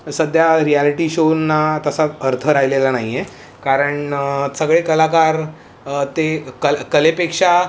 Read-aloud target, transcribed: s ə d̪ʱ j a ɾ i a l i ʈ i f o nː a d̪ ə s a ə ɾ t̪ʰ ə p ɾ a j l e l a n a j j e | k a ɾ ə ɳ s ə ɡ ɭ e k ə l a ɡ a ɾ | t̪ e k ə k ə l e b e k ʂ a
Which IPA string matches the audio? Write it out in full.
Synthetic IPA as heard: s ə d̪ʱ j a ɾ i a l i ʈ i ɕ o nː a t̪ ə s a ə ɾ t̪ʰ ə ɾ a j l e l a n a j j e | k a ɾ ə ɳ s ə ɡ ɭ e k ə l a k a ɾ | t̪ e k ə k ə l e p e k ʂ a